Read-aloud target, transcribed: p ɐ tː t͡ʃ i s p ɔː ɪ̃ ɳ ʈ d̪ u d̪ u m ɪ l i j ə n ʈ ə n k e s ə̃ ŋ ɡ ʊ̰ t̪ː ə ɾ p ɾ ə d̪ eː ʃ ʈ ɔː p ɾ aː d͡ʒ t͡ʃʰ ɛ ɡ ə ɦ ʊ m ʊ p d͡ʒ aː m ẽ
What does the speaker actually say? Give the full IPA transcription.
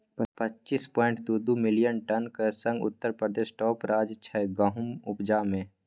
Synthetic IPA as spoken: p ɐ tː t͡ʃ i s p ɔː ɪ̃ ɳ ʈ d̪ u d̪ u m ɪ l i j ə n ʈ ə n k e s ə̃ ŋ ɡ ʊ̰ t̪ː ə ɾ p ɾ ə d̪ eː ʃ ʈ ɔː p ɾ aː d͡ʒ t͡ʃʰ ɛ ɡ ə ɦ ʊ m ʊ p d͡ʒ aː m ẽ